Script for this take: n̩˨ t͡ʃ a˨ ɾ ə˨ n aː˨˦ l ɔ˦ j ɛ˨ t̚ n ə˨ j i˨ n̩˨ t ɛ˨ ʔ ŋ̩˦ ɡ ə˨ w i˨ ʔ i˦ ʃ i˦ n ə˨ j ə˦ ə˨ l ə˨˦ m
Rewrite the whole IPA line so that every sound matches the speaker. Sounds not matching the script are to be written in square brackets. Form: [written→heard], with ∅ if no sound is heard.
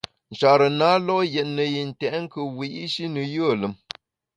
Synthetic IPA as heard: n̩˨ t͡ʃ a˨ ɾ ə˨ n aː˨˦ l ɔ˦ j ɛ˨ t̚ n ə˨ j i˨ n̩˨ t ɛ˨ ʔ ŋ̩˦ [ɡ→k] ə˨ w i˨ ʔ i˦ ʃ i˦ n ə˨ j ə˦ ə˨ l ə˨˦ m